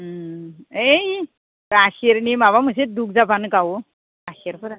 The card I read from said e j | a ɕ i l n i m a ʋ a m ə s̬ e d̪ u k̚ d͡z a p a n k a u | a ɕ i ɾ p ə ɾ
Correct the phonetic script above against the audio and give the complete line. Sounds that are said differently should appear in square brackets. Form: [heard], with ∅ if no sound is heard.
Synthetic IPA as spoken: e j | a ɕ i [ɾ] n i m a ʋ a m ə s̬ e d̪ u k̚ d͡z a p a n k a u | a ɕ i ɾ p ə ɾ